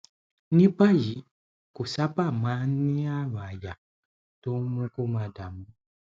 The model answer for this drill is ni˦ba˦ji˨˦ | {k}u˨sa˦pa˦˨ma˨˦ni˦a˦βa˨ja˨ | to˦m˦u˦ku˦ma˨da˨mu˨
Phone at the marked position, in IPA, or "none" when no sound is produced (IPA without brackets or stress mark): k